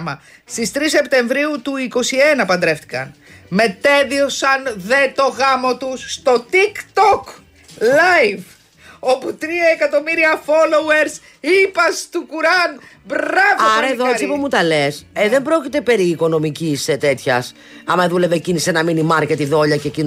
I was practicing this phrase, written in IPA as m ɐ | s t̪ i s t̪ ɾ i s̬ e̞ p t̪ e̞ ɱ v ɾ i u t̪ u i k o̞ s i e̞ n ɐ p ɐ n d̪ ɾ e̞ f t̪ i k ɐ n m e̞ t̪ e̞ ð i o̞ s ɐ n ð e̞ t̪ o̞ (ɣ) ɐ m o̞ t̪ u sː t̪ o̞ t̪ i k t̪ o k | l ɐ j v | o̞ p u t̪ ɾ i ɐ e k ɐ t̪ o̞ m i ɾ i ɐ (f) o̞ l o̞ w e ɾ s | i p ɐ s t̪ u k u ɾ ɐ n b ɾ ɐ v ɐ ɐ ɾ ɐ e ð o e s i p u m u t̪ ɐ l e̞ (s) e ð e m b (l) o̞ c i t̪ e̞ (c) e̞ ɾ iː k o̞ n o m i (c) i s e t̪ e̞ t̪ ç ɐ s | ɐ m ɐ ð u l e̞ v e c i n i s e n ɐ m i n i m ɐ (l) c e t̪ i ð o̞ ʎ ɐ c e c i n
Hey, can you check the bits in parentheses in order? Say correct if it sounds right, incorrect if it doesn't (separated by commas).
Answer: correct, correct, correct, incorrect, incorrect, correct, incorrect